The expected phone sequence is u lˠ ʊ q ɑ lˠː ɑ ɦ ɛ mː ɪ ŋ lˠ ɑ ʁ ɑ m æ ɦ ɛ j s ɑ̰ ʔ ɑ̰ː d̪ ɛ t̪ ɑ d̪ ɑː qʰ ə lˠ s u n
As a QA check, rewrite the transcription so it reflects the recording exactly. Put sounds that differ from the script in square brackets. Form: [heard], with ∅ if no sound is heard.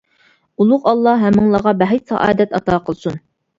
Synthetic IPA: u lˠ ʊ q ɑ lˠː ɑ ɦ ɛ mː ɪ ŋ lˠ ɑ ʁ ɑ [b] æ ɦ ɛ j s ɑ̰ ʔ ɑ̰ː d̪ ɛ t̪ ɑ [t̪] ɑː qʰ ə lˠ s u n